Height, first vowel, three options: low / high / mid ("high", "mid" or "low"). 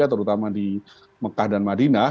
low